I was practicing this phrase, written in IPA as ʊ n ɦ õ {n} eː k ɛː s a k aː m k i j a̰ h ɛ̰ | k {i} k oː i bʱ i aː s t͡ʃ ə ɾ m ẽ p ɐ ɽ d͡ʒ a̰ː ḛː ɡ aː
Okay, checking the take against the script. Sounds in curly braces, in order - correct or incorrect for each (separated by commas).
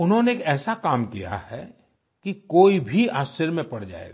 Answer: correct, correct